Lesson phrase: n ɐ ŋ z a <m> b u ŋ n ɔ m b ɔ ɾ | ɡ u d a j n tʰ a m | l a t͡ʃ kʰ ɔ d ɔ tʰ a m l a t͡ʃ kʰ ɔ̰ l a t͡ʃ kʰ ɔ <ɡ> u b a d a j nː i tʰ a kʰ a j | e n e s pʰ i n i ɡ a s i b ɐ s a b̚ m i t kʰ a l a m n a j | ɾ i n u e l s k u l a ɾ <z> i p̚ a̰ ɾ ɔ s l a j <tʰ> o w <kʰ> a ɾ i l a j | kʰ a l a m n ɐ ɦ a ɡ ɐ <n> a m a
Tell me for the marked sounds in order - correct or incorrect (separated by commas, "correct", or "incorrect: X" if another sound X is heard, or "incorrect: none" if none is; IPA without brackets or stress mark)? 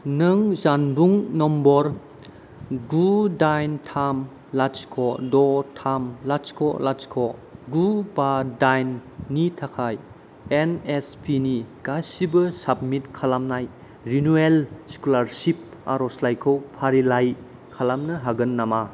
incorrect: n, correct, incorrect: s, incorrect: kʰ, incorrect: pʰ, incorrect: nː